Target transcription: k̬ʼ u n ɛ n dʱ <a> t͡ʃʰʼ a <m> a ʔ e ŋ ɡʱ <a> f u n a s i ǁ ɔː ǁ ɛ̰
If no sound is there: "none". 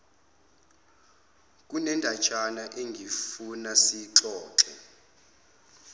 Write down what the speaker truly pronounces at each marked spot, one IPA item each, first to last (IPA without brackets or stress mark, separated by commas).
a, n, i